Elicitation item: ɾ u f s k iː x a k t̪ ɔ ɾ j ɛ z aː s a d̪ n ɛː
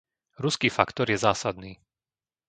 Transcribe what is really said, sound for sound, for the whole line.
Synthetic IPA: ɾ u s k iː f a k t̪ ɔ ɾ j ɛ z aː s a d̪ n iː